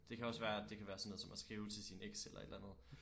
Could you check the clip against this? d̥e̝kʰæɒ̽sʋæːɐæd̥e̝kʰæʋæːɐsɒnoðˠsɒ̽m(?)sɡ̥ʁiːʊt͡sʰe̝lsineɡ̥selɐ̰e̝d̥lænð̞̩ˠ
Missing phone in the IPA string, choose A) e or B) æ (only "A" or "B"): B